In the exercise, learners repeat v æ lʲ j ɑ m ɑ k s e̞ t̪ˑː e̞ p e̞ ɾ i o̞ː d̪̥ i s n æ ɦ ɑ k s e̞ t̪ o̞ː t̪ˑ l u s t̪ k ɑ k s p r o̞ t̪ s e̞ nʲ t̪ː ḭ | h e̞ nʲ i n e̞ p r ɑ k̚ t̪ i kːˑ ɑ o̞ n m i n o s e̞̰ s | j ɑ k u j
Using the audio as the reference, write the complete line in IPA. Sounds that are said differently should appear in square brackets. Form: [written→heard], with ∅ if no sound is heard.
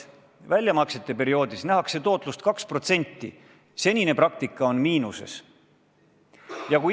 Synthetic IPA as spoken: v æ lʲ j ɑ m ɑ k s e̞ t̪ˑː e̞ p e̞ ɾ i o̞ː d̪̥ i s n æ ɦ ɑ k s e̞ t̪ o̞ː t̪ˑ l u s t̪ k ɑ k s p r o̞ t̪ s e̞ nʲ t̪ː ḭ | [h→s] e̞ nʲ i n e̞ p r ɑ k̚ t̪ i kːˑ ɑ o̞ n m [i→iː] n [o→u] s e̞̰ s | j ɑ k u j